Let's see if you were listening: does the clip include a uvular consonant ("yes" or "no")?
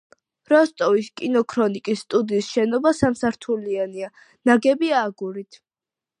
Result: no